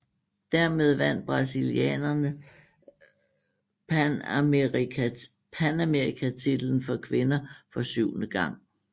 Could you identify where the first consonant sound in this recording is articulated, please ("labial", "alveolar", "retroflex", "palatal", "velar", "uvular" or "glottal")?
alveolar